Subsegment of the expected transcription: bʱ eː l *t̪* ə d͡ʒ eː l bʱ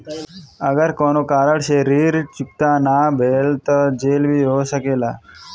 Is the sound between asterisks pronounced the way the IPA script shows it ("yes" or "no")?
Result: yes